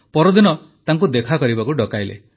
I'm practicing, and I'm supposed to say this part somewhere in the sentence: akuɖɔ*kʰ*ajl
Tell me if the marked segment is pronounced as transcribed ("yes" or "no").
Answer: no